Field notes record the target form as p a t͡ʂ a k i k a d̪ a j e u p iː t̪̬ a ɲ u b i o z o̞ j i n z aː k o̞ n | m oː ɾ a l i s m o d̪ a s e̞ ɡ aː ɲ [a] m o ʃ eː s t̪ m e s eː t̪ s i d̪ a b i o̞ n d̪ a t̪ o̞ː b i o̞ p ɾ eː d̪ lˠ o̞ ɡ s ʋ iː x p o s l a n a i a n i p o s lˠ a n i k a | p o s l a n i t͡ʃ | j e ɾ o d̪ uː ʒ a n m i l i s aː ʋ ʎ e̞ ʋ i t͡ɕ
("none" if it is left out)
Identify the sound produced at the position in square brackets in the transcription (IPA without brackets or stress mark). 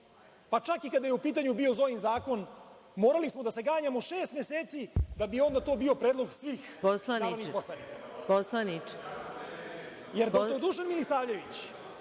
a